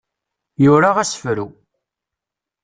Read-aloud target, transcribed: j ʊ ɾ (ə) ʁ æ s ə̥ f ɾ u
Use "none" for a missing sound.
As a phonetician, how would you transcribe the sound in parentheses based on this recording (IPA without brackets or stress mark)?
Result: a